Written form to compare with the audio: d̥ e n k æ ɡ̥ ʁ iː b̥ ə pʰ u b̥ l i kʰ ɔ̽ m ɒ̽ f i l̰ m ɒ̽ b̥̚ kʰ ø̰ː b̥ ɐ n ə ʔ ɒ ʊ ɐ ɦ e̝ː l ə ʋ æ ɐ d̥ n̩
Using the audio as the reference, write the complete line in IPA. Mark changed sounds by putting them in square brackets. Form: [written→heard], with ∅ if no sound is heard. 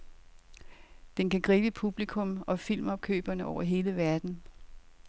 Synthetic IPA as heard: d̥ e n k æ ɡ̥ ʁ iː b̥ ə pʰ u b̥ l i kʰ ɔ̽ m ɒ̽ f i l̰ m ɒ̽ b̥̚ kʰ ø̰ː b̥ ɐ n ə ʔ ɒ ʊ ɐ ɦ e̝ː l ə ʋ æ ɐ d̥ n̩